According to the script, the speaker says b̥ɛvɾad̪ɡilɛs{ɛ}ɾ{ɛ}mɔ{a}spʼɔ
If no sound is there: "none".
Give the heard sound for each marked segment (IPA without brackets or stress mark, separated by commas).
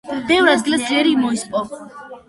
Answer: ɛ, i, i